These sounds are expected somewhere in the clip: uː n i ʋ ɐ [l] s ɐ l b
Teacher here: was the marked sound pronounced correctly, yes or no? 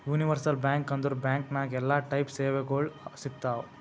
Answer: no